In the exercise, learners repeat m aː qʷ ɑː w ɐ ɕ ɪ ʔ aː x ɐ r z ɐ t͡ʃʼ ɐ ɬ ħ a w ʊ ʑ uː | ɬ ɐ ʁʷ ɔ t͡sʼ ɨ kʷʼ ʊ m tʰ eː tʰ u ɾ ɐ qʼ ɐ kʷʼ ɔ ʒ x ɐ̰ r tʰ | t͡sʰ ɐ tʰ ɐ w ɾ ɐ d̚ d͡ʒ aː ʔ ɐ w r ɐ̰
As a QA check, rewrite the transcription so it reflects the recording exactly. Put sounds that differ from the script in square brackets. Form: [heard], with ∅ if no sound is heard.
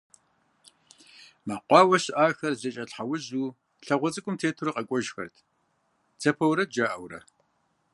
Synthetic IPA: m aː qʷ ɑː w ɐ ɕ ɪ ʔ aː x ɐ r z ɐ t͡ʃʼ ɐ ɬ ħ a w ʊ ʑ uː | ɬ ɐ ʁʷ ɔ t͡sʼ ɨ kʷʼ ʊ m tʰ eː tʰ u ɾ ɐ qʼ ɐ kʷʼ ɔ ʒ x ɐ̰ r tʰ | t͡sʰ ɐ [pʰ] ɐ w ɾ ɐ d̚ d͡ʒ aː ʔ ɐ w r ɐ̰

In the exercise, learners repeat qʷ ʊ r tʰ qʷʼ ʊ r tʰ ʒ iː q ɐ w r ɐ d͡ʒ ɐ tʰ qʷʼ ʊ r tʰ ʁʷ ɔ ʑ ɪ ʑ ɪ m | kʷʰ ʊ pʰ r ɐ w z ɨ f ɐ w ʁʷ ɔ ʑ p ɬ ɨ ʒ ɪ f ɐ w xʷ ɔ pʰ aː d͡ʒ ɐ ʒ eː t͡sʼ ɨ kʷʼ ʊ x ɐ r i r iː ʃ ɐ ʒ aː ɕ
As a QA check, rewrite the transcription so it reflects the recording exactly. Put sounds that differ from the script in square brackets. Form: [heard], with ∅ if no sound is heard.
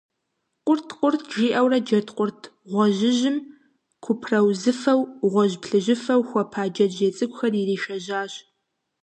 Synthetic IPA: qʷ ʊ r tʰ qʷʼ ʊ r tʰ ʒ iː [ʔ] ɐ w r ɐ d͡ʒ ɐ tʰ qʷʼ ʊ r tʰ ʁʷ ɔ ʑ ɪ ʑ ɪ m | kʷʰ ʊ pʰ r ɐ w z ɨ f ɐ w ʁʷ ɔ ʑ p ɬ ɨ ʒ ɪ f ɐ w xʷ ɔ pʰ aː d͡ʒ ɐ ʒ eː t͡sʼ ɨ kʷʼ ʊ x ɐ r i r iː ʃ ɐ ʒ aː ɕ

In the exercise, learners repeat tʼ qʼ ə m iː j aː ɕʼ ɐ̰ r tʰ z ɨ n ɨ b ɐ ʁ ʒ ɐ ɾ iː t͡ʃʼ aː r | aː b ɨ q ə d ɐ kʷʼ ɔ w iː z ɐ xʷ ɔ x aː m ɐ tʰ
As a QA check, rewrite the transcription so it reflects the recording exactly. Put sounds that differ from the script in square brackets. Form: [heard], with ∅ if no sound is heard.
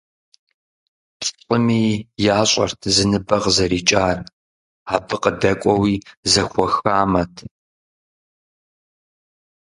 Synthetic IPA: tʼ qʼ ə m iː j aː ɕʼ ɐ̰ r tʰ z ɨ n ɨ b ɐ ʁ [z] ɐ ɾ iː t͡ʃʼ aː r | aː b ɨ q ə d ɐ kʷʼ ɔ w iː z ɐ xʷ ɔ x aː m ɐ tʰ

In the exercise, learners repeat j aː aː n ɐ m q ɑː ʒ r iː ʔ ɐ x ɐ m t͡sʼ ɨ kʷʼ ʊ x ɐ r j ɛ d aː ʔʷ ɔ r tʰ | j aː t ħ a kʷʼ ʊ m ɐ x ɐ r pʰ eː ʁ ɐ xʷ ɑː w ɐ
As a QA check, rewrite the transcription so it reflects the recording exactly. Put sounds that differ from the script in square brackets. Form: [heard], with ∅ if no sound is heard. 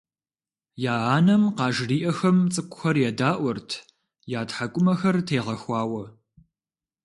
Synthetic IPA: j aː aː n ɐ m q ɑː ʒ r iː ʔ ɐ x ɐ m t͡sʼ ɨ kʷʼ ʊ x ɐ r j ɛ d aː ʔʷ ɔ r tʰ | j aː t ħ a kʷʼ ʊ m ɐ x ɐ r [tʰ] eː ʁ ɐ xʷ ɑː w ɐ

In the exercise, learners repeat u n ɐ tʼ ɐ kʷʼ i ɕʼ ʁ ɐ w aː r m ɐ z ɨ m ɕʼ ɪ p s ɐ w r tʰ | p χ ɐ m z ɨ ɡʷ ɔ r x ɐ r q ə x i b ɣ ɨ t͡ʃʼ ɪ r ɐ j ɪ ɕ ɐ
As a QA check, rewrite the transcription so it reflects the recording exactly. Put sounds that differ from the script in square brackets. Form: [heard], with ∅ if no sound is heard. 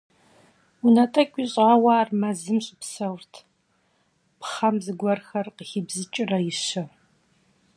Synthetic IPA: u n ɐ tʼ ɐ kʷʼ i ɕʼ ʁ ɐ w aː r m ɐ z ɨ m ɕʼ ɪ p s ɐ w r tʰ | p χ ɐ m z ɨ ɡʷ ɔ r x ɐ r q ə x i b [z] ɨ t͡ʃʼ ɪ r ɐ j ɪ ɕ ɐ

